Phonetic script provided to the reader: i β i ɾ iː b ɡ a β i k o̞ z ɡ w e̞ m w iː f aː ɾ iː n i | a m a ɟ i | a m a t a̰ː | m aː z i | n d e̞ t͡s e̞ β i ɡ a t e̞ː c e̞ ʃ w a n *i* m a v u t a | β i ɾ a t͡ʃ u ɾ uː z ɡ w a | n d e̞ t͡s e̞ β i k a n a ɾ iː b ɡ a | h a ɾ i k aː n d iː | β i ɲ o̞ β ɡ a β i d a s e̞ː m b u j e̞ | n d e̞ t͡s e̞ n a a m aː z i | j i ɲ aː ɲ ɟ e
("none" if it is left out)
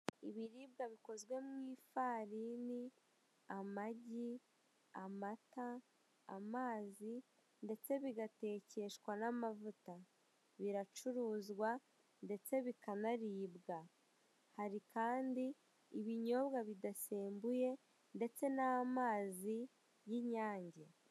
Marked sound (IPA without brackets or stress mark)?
a